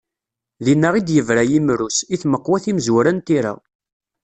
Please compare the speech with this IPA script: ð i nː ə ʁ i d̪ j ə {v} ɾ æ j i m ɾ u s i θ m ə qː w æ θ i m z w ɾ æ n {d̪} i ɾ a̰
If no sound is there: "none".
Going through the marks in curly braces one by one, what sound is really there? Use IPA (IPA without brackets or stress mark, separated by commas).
v, t̪